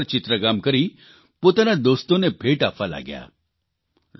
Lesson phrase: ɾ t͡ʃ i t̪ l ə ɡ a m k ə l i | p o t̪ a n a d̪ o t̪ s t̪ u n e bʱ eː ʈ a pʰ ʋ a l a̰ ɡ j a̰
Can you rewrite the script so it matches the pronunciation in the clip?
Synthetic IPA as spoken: ɾ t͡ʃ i t̪ ɾ ə ɡ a m k ə ɾ i | p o t̪ a n a d̪ o s t̪ o n e bʱ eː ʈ a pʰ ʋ a l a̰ ɡ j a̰